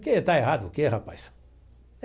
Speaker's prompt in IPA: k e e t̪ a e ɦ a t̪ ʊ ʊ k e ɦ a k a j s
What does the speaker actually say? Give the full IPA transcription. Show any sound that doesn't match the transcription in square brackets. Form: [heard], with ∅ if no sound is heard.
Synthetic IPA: k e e t̪ a e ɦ a [d̪] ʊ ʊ k e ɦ a [p] a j s